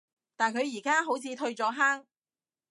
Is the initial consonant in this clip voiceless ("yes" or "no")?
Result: yes